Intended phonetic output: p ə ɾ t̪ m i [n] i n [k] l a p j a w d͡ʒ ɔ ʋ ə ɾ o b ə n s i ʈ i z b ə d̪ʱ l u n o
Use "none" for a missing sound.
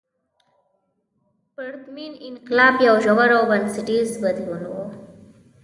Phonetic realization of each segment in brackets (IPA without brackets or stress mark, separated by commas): n, k